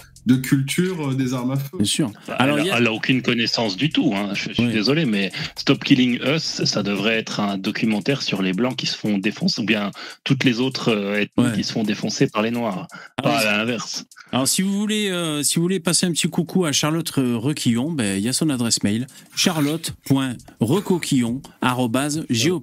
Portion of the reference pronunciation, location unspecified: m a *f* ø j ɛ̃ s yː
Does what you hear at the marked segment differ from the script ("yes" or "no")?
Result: no